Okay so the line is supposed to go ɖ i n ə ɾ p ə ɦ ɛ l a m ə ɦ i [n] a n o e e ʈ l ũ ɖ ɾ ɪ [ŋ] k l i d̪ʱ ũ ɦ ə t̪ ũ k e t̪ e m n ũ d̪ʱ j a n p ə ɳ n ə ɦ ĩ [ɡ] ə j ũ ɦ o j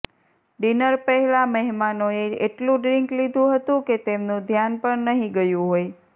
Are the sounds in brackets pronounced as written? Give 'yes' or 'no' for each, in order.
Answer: no, yes, yes

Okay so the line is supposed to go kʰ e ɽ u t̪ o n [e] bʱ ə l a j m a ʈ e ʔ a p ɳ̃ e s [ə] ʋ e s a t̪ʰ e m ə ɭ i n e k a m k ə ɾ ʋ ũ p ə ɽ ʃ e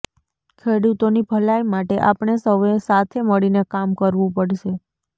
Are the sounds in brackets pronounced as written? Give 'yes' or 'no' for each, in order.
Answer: no, yes

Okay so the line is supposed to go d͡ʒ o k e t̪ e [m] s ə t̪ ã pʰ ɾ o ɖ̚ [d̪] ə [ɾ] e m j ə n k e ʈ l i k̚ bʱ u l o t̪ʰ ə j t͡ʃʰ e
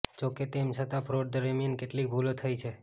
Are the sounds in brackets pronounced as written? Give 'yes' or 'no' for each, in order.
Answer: yes, yes, yes

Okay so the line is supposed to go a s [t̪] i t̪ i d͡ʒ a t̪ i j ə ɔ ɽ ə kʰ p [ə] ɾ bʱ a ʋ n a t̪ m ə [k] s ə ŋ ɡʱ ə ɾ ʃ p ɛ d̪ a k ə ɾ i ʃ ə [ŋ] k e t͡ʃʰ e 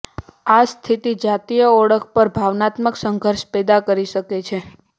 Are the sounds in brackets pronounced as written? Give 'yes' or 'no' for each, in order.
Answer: no, yes, yes, no

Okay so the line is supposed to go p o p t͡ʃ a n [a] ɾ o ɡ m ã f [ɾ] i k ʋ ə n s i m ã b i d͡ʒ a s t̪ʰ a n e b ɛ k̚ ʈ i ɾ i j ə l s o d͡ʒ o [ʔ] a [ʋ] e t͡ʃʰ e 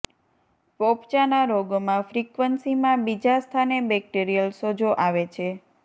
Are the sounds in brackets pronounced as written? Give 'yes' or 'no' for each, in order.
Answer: yes, yes, yes, yes

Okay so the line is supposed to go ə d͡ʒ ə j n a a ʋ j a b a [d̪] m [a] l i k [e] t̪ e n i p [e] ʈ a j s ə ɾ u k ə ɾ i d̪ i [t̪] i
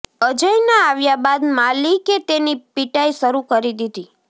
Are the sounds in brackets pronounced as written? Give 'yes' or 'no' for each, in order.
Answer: yes, yes, yes, no, no

